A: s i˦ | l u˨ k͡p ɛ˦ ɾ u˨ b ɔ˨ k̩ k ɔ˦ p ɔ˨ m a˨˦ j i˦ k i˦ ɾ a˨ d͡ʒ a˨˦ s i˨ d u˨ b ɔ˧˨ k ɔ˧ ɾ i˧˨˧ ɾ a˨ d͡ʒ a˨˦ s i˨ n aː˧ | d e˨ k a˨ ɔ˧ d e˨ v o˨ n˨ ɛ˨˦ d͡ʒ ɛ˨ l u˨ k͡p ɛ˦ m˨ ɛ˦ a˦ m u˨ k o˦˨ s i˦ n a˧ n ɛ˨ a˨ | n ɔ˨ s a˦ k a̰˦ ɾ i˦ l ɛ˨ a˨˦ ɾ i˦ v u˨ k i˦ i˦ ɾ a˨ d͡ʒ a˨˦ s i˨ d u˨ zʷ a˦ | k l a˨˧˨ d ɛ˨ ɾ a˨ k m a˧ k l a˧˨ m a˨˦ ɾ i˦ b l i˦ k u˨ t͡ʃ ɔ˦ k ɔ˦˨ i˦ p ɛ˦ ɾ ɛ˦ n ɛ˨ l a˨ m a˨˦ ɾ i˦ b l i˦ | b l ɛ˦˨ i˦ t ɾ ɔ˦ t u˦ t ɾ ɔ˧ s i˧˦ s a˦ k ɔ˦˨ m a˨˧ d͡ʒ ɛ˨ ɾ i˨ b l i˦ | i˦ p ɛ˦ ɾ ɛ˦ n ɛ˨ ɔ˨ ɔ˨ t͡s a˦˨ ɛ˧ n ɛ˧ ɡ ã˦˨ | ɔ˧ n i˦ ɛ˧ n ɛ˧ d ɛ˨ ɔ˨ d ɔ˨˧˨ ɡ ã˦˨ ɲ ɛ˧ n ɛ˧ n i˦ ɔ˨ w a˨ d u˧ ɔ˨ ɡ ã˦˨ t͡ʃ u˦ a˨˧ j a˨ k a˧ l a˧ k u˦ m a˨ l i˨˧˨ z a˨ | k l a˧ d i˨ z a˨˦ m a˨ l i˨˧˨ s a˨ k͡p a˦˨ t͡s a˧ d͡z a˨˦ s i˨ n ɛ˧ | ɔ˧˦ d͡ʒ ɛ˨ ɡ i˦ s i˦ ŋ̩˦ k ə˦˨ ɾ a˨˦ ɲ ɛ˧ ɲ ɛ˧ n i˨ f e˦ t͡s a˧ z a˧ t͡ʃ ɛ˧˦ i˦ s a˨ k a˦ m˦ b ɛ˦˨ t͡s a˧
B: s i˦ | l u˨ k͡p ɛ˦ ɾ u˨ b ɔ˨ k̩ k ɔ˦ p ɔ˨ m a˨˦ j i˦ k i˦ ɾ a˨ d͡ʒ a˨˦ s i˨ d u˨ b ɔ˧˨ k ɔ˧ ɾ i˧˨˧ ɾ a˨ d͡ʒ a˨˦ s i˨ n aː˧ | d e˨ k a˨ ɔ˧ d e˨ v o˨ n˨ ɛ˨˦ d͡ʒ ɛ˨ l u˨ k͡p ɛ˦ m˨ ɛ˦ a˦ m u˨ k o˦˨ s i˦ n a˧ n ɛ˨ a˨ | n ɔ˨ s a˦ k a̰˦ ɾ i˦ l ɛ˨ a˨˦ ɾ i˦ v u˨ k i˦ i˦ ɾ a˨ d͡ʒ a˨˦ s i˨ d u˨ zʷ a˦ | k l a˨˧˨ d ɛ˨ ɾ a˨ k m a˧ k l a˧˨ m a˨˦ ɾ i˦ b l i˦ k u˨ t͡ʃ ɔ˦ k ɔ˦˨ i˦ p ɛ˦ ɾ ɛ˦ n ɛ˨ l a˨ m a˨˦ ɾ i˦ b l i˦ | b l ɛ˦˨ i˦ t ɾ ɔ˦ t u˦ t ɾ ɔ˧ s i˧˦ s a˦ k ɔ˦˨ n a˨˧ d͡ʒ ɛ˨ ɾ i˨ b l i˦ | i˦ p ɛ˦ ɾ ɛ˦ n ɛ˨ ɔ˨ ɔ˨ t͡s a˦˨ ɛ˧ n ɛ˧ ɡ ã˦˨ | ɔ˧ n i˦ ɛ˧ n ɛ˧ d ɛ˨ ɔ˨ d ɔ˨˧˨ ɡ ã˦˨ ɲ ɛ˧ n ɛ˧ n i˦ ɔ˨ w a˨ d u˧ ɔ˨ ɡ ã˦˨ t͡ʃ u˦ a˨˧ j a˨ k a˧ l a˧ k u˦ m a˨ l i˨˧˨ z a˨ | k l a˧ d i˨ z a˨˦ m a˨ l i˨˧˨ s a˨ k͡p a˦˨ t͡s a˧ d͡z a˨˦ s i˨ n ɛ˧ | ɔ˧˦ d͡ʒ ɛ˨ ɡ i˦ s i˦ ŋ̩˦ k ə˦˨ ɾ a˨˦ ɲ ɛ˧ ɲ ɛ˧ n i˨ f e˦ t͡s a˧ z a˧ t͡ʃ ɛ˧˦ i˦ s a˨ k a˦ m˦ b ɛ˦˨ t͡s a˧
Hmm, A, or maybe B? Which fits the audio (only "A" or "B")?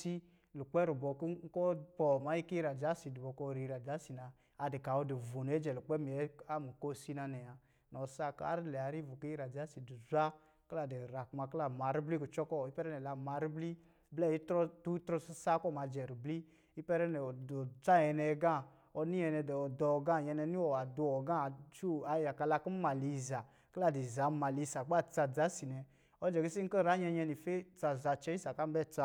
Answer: A